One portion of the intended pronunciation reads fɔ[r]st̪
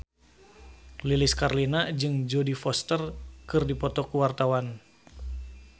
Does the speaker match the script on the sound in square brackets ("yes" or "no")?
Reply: no